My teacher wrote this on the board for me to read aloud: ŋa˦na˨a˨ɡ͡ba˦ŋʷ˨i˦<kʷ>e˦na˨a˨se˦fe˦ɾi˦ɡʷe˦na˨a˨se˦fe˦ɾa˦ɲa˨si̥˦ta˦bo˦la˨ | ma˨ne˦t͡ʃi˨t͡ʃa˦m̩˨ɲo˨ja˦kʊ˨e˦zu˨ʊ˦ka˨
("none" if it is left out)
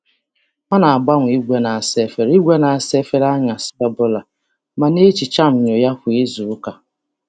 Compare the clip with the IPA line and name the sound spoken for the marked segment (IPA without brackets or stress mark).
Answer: ɡʷ